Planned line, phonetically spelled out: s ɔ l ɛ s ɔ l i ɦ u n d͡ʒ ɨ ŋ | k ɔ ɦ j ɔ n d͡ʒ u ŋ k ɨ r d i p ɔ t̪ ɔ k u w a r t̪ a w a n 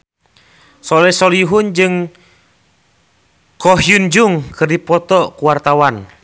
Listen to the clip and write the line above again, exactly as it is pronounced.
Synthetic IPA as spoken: s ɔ l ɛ s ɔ l i ɦ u n d͡ʒ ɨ ŋ | k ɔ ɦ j u n d͡ʒ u ŋ k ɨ r d i p ɔ t̪ ɔ k u w a r t̪ a w a n